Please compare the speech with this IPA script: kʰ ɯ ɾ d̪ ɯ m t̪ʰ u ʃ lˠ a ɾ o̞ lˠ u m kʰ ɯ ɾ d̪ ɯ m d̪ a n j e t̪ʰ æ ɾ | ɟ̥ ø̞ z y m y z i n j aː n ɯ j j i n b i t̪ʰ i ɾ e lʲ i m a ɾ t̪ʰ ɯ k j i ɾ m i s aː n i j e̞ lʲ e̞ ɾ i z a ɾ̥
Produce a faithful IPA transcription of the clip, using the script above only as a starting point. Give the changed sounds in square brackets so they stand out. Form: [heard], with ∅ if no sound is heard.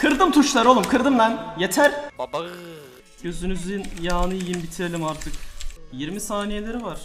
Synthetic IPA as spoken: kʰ ɯ ɾ d̪ ɯ m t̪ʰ u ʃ lˠ a ɾ o̞ lˠ u m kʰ ɯ ɾ d̪ ɯ m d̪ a n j e t̪ʰ æ ɾ | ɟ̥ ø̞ z y [n] y z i n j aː n ɯ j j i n b i t̪ʰ i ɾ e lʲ i m a ɾ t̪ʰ ɯ k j i ɾ m i s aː n i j e̞ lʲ e̞ ɾ i [v] a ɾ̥